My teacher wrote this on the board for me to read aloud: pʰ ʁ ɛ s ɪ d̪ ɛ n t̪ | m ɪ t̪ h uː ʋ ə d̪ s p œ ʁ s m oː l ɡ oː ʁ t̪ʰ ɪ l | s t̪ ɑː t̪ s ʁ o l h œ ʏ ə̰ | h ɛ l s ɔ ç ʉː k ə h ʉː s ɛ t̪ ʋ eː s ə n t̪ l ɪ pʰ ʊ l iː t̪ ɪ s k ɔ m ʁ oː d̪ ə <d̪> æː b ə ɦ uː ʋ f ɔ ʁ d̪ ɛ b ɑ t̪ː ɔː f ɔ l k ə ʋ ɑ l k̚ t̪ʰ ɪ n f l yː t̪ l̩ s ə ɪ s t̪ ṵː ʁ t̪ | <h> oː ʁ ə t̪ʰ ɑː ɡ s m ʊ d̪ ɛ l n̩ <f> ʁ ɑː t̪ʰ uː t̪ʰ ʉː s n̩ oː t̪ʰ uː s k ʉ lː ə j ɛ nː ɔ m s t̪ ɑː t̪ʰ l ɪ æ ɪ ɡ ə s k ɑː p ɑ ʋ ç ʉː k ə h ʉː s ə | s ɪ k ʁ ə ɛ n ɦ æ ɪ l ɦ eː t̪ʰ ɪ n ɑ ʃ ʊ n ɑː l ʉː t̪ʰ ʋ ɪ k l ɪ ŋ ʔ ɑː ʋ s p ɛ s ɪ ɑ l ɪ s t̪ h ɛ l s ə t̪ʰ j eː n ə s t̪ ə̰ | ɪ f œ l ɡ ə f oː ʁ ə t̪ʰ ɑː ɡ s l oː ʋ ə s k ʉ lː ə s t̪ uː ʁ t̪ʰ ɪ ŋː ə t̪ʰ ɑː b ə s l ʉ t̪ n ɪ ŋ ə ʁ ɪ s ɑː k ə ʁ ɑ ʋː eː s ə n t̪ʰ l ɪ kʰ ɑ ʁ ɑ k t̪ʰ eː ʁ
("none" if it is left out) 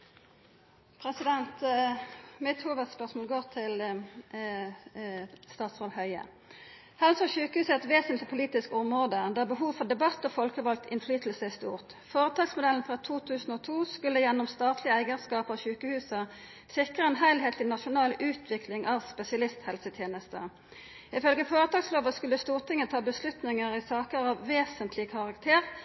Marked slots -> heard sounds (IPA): d̪, f, f

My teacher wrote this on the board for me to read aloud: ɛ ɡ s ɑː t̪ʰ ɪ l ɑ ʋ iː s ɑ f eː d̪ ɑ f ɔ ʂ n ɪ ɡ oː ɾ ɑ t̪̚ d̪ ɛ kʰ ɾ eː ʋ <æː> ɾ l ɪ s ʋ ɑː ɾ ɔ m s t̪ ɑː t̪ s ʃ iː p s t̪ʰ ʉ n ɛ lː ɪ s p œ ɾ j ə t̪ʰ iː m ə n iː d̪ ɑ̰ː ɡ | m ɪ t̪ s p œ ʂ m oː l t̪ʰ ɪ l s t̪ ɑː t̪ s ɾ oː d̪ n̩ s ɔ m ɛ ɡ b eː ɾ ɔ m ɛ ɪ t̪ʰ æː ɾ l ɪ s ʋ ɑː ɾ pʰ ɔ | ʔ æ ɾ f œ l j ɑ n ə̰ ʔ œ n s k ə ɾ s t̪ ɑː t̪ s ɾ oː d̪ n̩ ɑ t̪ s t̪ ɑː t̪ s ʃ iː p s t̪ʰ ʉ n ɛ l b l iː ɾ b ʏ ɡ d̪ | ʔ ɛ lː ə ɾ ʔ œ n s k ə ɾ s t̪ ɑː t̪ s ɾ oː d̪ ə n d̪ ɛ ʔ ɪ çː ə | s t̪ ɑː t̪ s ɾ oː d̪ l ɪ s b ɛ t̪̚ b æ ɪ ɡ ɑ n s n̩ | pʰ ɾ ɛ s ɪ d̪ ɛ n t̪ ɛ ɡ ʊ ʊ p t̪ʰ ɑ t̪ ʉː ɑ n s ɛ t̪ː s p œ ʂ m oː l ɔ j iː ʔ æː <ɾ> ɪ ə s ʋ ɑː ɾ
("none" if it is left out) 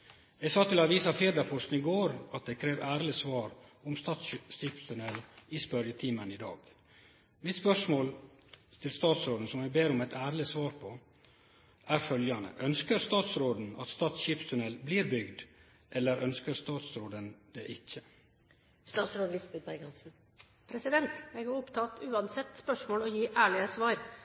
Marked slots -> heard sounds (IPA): æː, ɭ

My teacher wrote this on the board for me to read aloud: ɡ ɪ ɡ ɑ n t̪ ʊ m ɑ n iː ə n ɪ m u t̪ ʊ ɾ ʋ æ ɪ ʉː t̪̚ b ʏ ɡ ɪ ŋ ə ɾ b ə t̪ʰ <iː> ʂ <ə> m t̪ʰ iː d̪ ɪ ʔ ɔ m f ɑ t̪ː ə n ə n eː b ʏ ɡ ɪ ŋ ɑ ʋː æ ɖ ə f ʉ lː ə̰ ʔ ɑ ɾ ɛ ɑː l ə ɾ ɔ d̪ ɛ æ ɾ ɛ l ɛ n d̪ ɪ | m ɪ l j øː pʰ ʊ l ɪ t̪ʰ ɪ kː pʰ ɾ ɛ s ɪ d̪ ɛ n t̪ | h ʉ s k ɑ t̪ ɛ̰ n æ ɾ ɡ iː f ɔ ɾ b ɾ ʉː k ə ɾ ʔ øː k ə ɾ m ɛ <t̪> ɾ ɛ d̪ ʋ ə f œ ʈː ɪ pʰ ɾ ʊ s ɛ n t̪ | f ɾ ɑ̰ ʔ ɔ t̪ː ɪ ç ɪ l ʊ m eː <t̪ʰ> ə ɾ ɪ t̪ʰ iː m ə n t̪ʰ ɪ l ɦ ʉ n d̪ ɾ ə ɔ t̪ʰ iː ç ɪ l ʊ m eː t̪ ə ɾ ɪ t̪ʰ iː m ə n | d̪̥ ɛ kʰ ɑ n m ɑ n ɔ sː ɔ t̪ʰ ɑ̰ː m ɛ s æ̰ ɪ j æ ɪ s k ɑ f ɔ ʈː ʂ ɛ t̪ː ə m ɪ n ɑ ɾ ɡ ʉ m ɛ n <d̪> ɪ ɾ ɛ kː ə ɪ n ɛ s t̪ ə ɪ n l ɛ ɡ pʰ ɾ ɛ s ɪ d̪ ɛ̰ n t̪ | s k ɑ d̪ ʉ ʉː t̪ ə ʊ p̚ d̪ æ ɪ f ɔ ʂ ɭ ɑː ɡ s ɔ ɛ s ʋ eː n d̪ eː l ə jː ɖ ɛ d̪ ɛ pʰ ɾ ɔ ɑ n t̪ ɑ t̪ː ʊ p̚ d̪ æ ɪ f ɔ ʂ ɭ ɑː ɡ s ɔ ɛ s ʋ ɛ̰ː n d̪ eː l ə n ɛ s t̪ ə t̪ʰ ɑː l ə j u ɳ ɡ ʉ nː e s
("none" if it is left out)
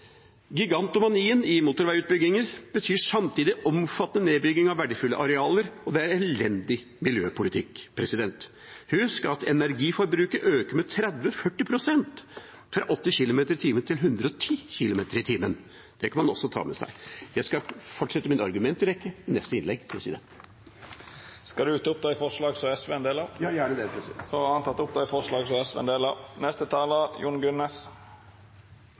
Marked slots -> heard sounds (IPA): yː, ɑ, t̪ʰ, t̪, t̪

